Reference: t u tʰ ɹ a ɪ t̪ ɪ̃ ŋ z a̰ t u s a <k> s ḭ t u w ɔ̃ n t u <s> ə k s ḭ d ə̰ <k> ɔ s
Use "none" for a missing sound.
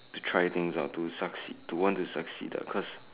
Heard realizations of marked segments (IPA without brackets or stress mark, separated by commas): k, s, kʰ